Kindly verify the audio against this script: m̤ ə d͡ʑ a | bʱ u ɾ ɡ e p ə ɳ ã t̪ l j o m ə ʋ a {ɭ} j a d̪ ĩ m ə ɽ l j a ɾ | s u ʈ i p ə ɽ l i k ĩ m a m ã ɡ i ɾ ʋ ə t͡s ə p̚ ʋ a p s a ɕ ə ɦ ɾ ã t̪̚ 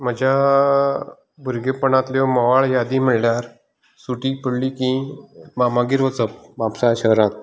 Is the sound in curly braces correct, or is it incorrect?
correct